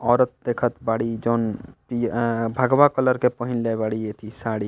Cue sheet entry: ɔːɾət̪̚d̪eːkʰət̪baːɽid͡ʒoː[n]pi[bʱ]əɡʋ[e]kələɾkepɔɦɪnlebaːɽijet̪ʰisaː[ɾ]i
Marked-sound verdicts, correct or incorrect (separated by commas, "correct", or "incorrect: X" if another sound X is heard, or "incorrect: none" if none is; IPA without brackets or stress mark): correct, correct, incorrect: a, incorrect: ɽ